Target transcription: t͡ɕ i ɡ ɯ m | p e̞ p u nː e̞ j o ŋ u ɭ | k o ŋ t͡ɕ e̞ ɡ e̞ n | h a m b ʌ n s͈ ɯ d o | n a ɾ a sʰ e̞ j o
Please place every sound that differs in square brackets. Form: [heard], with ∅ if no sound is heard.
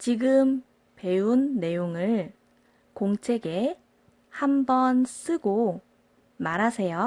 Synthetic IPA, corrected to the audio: t͡ɕ i ɡ ɯ m | p e̞ [∅] u nː e̞ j o ŋ [ɯ] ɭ | k o ŋ [t͡ɕʰ] e̞ ɡ e̞ [∅] | h a m b ʌ n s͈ ɯ [ɡ] o | [m] a ɾ a sʰ e̞ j o

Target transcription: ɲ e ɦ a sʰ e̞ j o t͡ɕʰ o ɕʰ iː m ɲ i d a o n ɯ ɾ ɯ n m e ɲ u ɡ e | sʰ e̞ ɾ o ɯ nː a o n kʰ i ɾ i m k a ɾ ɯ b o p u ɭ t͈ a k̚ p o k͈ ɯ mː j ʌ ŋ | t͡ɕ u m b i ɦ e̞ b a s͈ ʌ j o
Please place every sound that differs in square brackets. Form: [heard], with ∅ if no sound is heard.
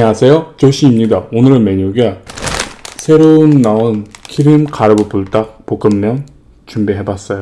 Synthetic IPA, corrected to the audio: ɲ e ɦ a sʰ e̞ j o [t͡ɕ] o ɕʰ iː m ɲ i d a o n ɯ ɾ ɯ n m e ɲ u ɡ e | sʰ e̞ ɾ o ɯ nː a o n kʰ i ɾ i m k a ɾ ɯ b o p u ɭ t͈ a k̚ p o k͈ ɯ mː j ʌ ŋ | t͡ɕ u m b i ɦ e̞ b a s͈ ʌ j o

